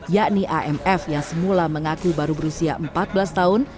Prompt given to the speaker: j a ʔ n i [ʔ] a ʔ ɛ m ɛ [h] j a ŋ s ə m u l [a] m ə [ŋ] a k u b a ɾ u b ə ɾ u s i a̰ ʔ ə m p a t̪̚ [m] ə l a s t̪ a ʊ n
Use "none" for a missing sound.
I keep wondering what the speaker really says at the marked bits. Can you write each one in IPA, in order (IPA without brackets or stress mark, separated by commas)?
ʔ, f, a, ŋ, b